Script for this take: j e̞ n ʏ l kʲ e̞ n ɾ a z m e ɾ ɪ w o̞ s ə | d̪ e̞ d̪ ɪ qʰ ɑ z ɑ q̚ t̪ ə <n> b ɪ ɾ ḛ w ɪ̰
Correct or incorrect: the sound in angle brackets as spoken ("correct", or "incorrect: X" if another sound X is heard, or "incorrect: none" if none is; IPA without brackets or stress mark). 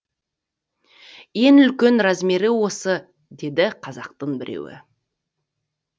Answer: incorrect: ɴ